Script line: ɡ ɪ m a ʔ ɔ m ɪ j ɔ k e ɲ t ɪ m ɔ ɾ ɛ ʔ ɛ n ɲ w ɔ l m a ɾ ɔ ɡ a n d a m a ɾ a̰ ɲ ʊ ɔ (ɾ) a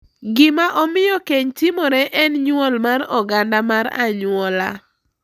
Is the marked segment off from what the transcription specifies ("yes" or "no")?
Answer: yes